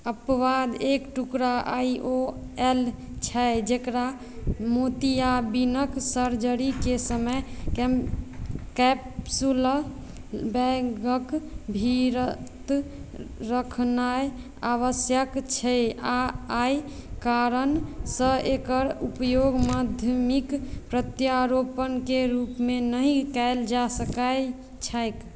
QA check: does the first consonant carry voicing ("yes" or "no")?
no